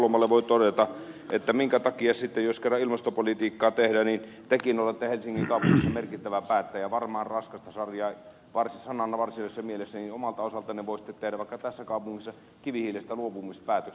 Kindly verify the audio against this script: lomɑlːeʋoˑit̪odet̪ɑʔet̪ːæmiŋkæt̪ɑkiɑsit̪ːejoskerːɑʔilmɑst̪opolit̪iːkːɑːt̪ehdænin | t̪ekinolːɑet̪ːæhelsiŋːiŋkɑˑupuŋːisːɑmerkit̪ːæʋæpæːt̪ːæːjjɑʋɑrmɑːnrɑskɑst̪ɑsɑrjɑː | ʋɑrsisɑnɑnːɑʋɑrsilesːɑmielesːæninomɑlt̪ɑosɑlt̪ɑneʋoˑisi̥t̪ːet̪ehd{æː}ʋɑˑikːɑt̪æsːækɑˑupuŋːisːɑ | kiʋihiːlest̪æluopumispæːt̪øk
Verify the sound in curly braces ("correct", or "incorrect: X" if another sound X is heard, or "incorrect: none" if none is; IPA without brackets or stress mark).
incorrect: æ